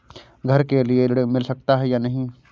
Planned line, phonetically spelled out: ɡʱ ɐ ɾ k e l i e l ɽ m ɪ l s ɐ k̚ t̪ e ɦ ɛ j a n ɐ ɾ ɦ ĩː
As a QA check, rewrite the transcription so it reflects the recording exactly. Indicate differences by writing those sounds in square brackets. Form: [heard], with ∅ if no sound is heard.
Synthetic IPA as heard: ɡʱ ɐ ɾ k e l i e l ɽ m ɪ l s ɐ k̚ t̪ [a] ɦ ɛ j a n ɐ [∅] ɦ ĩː